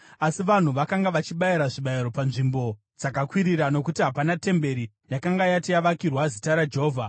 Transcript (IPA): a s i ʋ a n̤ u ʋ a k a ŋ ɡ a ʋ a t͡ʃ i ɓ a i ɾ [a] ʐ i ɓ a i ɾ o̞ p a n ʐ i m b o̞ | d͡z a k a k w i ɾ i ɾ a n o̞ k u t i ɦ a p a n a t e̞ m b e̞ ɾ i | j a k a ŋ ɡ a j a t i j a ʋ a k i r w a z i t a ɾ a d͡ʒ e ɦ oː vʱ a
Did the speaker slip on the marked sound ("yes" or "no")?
no